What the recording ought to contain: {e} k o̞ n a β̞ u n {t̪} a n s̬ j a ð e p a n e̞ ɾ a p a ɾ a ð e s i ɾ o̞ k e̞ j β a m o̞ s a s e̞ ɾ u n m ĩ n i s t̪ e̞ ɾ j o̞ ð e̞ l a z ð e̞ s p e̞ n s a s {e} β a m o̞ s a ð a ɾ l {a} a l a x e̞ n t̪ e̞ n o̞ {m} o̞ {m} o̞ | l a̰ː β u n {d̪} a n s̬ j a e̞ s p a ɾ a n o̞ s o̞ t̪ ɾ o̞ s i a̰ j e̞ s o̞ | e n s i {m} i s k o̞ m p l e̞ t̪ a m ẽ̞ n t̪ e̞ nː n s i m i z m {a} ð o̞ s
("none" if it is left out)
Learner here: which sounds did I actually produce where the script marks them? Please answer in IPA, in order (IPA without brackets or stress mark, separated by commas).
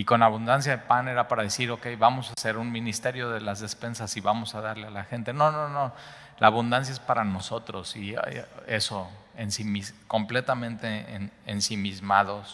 i, d̪, i, e, n, n, d̪, m, a